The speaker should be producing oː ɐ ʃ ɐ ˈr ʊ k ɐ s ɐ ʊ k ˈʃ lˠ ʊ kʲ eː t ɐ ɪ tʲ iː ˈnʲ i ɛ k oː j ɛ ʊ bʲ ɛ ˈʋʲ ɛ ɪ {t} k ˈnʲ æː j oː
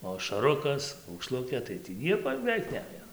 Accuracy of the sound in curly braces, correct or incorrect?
incorrect